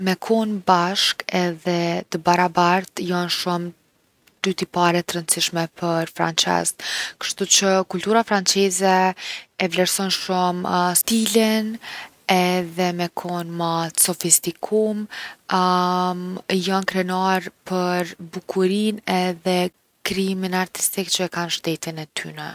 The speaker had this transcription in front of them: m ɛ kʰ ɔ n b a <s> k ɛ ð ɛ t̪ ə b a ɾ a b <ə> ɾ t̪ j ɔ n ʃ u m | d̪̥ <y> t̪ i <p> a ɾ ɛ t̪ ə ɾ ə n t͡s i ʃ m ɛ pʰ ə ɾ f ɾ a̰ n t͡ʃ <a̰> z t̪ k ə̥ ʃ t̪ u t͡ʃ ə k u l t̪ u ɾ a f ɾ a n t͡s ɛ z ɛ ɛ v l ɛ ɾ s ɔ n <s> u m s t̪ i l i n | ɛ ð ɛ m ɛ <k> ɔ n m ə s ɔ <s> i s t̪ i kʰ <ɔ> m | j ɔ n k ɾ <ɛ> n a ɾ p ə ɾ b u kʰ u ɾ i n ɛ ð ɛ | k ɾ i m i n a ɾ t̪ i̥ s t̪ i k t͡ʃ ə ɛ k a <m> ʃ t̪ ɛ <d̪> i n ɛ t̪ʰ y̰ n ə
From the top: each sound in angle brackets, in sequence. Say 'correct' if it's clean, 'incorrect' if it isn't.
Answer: incorrect: ʃ, incorrect: a, correct, correct, incorrect: ɛ̰, incorrect: ʃ, incorrect: kʰ, incorrect: f, incorrect: u, correct, incorrect: n, incorrect: t̪

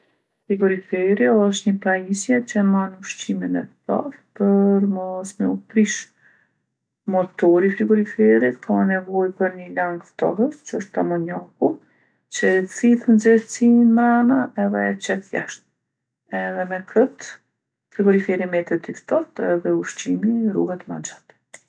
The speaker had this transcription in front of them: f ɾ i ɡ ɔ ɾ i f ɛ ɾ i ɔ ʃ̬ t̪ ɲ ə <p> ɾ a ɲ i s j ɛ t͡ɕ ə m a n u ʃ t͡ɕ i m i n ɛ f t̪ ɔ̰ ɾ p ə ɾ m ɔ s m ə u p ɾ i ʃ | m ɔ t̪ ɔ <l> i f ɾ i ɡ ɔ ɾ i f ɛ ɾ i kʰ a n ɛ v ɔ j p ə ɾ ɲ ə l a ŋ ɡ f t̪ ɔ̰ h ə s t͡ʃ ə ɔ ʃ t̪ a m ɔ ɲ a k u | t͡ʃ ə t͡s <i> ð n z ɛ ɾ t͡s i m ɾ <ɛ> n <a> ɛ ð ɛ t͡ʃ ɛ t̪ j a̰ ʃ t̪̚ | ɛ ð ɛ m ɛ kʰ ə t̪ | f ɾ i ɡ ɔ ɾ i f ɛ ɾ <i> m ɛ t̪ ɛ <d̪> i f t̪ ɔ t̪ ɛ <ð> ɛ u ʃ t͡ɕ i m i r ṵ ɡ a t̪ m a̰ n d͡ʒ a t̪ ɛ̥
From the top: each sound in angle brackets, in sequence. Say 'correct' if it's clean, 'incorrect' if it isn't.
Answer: correct, incorrect: ɾ, correct, incorrect: a, correct, correct, incorrect: t̪, correct

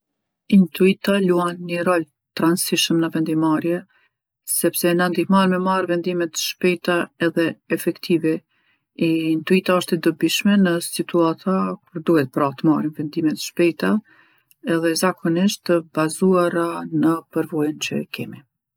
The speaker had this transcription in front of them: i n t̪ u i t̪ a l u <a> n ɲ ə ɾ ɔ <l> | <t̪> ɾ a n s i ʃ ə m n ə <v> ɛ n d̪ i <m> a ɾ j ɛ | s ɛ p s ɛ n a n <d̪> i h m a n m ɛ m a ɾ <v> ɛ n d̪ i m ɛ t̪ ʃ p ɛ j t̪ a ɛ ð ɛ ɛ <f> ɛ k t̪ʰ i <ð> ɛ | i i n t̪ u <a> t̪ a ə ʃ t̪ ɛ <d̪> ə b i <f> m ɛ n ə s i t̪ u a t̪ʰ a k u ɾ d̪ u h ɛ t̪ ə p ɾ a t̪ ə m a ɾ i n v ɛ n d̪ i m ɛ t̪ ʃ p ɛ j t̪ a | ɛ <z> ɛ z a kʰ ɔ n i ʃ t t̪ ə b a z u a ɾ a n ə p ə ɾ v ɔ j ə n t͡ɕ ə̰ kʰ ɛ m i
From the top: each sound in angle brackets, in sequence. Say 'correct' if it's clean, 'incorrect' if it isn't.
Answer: correct, correct, correct, correct, correct, correct, correct, correct, incorrect: v, incorrect: i, correct, incorrect: ʃ, incorrect: ð

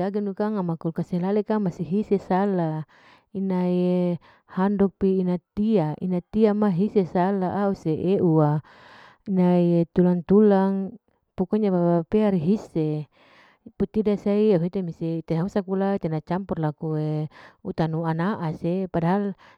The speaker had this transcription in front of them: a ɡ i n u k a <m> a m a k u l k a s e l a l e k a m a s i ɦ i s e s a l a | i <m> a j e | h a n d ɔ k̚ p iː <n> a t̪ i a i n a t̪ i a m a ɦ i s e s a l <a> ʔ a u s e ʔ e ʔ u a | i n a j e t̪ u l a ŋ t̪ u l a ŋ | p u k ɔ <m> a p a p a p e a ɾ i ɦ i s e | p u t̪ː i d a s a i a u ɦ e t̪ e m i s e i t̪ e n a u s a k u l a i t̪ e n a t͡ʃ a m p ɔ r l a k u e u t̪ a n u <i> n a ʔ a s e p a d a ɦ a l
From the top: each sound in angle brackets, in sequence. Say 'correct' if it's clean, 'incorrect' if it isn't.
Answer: incorrect: ŋ, incorrect: n, correct, correct, incorrect: ɲ, incorrect: a

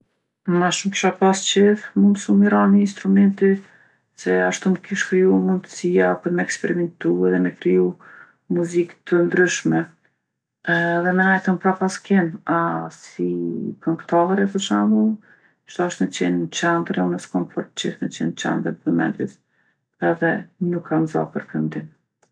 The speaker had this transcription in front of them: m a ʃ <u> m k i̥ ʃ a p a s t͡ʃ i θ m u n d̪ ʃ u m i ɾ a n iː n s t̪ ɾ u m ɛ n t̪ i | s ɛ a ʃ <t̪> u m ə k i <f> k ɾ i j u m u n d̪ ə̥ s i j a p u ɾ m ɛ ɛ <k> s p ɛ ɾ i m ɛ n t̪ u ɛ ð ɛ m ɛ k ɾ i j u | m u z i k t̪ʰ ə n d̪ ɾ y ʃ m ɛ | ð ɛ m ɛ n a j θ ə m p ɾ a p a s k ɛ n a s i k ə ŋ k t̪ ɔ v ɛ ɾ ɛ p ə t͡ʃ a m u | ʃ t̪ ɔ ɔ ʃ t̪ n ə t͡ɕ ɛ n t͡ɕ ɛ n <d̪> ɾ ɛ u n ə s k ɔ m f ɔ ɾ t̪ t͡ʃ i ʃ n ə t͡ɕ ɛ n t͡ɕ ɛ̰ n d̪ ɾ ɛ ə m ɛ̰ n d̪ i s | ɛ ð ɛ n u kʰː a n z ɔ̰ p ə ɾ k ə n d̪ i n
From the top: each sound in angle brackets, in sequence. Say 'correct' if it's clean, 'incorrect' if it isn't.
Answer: correct, correct, incorrect: ʃ, correct, correct

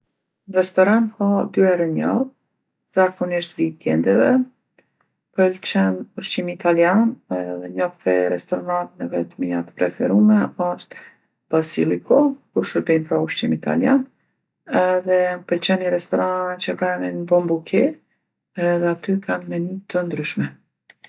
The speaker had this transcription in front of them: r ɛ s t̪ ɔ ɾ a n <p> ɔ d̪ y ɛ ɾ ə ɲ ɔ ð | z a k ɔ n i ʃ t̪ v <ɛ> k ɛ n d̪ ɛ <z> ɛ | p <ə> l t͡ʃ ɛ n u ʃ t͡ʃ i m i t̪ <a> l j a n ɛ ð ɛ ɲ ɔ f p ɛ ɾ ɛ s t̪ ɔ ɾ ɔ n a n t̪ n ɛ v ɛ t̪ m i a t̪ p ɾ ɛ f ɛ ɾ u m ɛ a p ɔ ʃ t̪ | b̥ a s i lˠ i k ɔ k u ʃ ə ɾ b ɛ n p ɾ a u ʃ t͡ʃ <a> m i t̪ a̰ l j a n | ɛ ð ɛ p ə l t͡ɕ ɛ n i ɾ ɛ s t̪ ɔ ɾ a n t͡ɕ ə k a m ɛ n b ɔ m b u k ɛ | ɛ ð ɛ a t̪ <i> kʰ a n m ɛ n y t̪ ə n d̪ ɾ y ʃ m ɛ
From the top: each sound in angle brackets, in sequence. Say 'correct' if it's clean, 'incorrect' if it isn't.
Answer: incorrect: k, incorrect: i, incorrect: v, correct, correct, incorrect: i, incorrect: y

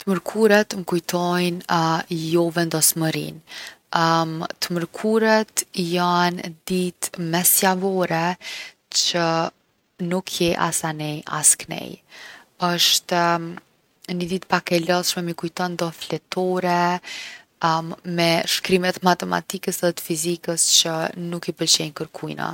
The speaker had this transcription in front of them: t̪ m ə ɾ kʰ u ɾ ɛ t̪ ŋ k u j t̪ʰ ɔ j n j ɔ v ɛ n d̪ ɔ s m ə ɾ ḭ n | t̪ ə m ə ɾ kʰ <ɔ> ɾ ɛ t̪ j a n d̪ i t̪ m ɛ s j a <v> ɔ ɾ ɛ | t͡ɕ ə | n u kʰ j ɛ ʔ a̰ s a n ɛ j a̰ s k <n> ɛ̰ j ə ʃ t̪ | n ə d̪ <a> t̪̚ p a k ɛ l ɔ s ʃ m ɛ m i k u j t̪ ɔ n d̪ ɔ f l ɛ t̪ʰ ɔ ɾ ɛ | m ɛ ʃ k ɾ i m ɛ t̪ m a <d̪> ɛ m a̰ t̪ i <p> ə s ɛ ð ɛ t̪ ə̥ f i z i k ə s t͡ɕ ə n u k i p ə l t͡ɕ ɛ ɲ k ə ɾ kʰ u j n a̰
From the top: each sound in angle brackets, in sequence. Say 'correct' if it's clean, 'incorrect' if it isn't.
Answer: incorrect: u, correct, correct, incorrect: i, incorrect: t̪, incorrect: k

